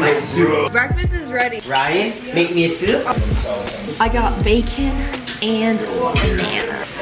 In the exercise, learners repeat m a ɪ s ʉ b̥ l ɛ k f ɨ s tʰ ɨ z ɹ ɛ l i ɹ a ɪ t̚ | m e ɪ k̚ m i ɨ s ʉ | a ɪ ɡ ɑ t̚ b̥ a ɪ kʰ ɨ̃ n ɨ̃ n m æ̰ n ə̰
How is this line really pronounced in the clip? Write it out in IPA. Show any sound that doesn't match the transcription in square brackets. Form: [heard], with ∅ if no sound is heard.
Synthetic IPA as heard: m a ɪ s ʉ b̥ [ɹ] ɛ k f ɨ s [t] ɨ z ɹ ɛ [ɾ] i ɹ a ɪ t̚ | m e ɪ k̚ m i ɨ s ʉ | a ɪ ɡ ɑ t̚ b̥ [e] ɪ kʰ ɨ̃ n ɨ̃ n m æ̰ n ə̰